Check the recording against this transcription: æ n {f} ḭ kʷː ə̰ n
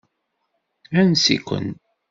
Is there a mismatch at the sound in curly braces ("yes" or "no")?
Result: yes